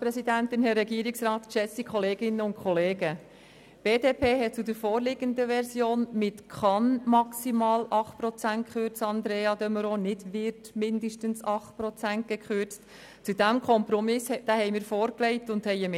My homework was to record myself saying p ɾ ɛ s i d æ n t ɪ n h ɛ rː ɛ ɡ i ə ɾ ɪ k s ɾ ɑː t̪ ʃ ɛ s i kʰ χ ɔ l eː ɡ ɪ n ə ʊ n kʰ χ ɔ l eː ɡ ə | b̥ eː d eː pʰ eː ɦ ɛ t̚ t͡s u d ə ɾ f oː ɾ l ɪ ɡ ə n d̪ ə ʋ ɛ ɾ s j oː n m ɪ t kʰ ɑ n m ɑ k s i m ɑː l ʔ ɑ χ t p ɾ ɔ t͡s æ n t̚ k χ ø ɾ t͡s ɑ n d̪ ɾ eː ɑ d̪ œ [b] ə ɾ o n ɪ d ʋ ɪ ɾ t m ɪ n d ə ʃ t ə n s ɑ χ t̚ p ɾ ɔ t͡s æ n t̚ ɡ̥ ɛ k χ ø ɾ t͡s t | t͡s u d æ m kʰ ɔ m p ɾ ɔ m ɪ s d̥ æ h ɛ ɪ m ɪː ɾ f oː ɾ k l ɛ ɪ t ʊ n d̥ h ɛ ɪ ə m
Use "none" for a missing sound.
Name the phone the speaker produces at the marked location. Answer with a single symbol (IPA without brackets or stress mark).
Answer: m